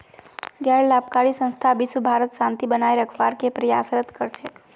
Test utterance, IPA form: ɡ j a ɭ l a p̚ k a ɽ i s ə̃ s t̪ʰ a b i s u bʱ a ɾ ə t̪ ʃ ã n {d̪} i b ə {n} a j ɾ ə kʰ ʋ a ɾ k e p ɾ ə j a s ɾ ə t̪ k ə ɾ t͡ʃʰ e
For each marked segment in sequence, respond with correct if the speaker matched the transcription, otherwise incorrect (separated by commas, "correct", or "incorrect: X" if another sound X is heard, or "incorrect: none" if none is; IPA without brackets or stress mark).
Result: incorrect: t̪, correct